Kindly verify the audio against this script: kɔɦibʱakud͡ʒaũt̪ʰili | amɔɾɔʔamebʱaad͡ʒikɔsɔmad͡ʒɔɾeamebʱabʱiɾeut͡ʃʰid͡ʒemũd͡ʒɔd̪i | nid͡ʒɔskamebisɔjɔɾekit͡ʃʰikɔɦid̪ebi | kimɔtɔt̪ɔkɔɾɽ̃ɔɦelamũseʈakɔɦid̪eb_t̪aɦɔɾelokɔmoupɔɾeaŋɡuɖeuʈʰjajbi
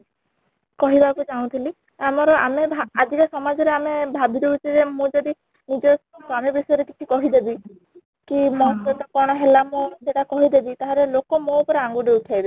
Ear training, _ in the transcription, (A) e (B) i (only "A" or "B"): B